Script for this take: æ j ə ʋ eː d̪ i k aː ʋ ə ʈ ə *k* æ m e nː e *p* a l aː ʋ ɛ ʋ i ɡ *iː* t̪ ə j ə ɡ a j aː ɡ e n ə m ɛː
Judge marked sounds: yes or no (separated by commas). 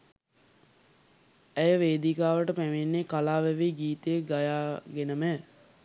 no, no, yes